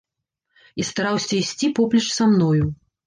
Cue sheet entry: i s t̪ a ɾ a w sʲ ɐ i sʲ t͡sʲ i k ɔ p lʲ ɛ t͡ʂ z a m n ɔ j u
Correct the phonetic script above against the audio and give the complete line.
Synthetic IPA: i s t̪ a ɾ a w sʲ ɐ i sʲ t͡sʲ i p ɔ p lʲ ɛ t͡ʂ s a m n ɔ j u